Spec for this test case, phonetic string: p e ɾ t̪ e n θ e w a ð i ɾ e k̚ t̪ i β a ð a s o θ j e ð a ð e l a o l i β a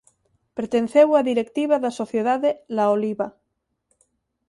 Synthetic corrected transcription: p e ɾ t̪ e n θ e w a ð i ɾ e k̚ t̪ i β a ð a s o θ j e ð a ð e l a o l i β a